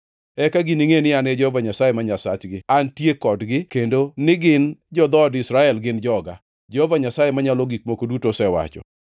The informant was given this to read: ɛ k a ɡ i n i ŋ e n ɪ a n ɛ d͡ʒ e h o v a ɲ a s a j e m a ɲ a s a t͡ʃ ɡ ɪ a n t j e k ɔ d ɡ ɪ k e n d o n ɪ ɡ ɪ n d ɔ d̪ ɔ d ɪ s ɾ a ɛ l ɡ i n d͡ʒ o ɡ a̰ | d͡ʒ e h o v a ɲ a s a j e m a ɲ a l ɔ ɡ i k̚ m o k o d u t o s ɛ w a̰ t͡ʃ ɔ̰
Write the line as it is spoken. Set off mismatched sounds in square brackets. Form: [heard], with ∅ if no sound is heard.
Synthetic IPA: ɛ k a ɡ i n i ŋ e n ɪ a n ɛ d͡ʒ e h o v a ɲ a s a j e m a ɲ a s a t͡ʃ ɡ ɪ a n t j e k ɔ d ɡ ɪ k e n d o n ɪ ɡ ɪ n [d͡ʒ] ɔ d̪ ɔ d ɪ s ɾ a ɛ l ɡ [ɪ] n d͡ʒ [ɔ] ɡ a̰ | d͡ʒ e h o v a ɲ a s a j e m a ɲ a l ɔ ɡ i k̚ m o k o d u t o s ɛ w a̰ t͡ʃ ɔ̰